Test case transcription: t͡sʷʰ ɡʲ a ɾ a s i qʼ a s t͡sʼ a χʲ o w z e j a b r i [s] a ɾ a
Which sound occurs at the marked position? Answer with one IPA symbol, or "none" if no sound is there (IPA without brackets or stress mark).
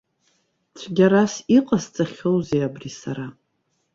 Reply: s